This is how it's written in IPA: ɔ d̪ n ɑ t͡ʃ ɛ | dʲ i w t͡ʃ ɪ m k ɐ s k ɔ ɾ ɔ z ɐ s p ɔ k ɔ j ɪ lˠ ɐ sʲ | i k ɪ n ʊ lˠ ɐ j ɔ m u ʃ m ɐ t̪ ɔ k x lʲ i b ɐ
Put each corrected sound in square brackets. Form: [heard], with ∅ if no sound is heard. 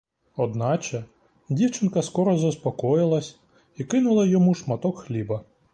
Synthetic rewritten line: ɔ d̪ n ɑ t͡ʃ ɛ | dʲ i w t͡ʃ ɪ [n] k ɐ s k ɔ ɾ ɔ z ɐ s p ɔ k ɔ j ɪ lˠ ɐ sʲ | i k ɪ n ʊ lˠ ɐ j ɔ m u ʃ m ɐ t̪ ɔ k x lʲ i b ɐ